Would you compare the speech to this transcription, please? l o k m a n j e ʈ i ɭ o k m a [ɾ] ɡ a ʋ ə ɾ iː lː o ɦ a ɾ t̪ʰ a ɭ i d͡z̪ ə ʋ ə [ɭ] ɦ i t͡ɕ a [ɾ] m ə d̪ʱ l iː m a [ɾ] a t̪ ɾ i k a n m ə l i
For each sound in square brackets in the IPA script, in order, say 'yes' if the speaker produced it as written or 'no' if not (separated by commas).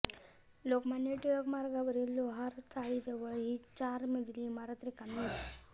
yes, yes, yes, yes